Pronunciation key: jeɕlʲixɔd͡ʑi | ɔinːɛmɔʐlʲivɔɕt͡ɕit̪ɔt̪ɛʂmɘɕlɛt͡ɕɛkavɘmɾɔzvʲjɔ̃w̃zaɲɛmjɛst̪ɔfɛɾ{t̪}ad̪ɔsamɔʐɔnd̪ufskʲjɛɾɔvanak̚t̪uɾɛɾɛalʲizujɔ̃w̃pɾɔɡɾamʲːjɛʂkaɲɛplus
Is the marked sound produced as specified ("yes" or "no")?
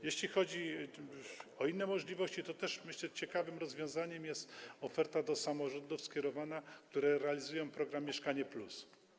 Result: yes